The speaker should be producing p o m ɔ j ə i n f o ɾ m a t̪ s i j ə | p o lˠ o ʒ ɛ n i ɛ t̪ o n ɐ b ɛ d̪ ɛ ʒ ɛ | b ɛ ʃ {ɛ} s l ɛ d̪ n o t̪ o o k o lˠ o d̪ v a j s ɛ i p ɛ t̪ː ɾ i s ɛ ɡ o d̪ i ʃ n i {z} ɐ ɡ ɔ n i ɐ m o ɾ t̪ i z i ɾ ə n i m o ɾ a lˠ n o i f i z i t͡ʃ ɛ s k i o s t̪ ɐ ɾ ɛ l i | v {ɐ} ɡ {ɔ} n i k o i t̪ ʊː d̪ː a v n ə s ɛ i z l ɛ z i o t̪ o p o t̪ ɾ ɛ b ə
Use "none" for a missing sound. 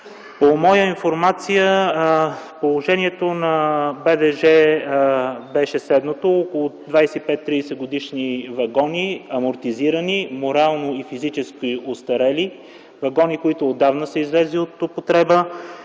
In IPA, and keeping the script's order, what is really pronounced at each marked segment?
ɛ, v, ɐ, ɔ

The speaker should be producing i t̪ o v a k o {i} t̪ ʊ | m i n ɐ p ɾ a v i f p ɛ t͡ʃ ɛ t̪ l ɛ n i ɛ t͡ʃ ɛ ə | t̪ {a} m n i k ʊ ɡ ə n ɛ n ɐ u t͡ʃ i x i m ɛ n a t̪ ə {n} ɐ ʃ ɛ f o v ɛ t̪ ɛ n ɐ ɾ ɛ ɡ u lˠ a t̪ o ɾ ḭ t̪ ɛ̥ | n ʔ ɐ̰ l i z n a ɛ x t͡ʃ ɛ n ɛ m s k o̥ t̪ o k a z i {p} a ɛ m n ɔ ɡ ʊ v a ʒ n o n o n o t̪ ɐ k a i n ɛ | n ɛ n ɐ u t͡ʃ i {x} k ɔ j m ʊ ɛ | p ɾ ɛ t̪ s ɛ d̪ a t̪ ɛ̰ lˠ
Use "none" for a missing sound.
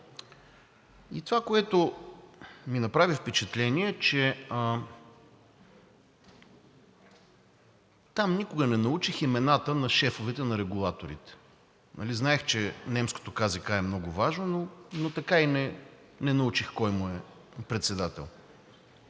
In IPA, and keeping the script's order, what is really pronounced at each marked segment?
ɛ, a, n, k, x

